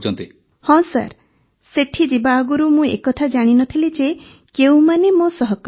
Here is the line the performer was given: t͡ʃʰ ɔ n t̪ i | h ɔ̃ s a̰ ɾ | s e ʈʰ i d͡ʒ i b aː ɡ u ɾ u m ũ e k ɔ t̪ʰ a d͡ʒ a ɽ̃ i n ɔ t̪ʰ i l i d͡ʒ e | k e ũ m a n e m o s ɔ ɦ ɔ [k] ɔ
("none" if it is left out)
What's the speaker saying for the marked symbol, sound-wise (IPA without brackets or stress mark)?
k